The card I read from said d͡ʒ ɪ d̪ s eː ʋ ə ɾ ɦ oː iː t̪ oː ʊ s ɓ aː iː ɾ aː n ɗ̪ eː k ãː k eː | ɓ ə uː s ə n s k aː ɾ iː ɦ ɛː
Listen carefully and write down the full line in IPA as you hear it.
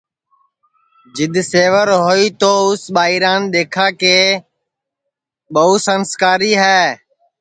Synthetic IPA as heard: d͡ʒ ɪ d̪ s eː ʋ ə ɾ ɦ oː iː t̪ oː ʊ s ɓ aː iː ɾ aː n ɗ̪ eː kʰ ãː k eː | ɓ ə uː s ə n s k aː ɾ iː ɦ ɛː